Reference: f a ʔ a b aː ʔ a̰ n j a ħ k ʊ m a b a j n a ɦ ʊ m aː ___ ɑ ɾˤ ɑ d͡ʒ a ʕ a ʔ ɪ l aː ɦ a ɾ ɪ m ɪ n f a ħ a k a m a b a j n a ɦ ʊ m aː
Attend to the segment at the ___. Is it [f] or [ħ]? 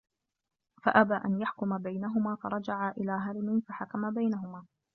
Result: f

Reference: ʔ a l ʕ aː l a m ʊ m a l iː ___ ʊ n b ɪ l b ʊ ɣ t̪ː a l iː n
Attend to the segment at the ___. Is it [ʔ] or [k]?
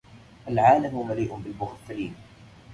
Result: ʔ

